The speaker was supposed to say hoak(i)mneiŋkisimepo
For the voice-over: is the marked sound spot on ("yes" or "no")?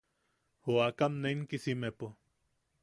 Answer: no